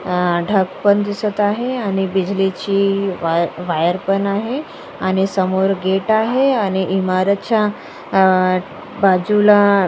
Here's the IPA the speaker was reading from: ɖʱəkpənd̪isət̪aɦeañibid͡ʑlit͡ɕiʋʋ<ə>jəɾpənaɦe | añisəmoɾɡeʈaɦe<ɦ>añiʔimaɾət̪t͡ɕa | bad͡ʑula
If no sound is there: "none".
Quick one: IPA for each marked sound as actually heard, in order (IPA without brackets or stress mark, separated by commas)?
a, none